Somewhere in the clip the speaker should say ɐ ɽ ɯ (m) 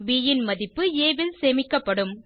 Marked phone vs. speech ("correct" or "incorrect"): correct